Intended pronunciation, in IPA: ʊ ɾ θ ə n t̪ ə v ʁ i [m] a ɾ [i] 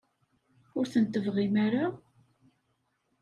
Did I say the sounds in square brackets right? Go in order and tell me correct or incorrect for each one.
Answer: correct, incorrect: a

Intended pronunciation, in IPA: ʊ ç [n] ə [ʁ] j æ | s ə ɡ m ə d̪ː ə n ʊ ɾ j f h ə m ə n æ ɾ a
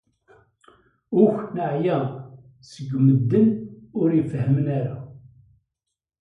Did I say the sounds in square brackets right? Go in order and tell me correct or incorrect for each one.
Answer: correct, incorrect: ʕ

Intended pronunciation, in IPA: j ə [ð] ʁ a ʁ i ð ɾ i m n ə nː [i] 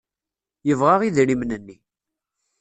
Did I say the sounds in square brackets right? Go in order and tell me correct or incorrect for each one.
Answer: incorrect: v, correct

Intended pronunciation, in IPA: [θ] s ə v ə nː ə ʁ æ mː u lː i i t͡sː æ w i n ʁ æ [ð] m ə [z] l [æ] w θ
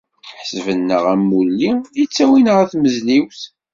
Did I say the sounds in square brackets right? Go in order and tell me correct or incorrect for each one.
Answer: incorrect: ħ, incorrect: θ, correct, incorrect: i

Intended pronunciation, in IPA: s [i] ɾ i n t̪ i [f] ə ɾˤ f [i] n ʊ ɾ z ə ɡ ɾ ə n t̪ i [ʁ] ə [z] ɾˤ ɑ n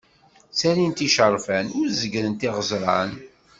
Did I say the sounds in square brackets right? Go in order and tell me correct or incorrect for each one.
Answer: incorrect: æ, incorrect: ʃ, incorrect: æ, correct, correct

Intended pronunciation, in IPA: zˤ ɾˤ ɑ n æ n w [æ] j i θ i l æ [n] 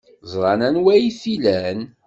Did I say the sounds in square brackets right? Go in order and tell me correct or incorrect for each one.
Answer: correct, correct

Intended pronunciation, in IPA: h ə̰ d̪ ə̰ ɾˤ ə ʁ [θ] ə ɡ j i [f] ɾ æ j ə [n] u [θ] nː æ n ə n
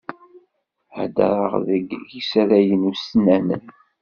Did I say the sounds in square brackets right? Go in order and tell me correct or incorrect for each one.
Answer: incorrect: ð, incorrect: s, correct, incorrect: s

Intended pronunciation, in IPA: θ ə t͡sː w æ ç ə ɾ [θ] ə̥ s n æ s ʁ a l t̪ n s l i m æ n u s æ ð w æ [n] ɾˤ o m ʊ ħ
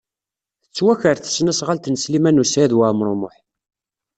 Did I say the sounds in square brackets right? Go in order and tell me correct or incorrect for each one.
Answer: correct, incorrect: m

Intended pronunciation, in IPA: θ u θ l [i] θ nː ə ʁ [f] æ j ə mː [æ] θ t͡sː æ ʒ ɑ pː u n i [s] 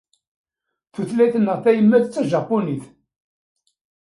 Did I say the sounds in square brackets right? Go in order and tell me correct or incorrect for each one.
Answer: incorrect: æ, incorrect: θ, correct, incorrect: θ

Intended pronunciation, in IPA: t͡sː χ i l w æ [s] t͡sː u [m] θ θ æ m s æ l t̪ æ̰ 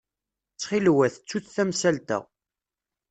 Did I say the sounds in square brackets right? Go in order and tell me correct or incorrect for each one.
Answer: incorrect: θ, incorrect: none

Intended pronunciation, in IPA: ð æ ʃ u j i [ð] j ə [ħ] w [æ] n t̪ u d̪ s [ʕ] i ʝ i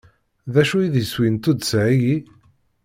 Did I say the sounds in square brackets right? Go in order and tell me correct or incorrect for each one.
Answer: correct, incorrect: s, incorrect: i, correct

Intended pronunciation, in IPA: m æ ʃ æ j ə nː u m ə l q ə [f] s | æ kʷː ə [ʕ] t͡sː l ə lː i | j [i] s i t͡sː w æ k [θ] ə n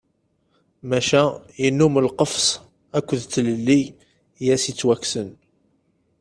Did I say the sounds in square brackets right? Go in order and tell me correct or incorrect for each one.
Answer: correct, incorrect: ð, incorrect: æ, incorrect: s

